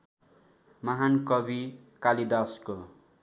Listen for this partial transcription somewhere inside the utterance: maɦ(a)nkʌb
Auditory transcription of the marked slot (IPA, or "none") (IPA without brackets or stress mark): a